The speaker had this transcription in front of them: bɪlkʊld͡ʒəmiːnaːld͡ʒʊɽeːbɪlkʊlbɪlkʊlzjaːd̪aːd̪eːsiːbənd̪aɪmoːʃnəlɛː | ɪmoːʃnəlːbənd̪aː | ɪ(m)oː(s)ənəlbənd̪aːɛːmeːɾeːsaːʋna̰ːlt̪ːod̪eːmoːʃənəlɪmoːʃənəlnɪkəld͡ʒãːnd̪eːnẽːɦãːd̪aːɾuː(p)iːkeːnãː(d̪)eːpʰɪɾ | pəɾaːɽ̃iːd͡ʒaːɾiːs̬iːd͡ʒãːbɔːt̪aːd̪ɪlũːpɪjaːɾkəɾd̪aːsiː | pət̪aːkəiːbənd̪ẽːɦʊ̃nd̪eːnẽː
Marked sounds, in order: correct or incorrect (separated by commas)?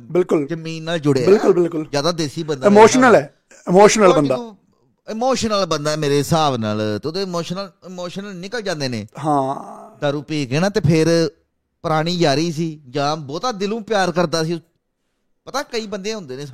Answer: correct, incorrect, correct, incorrect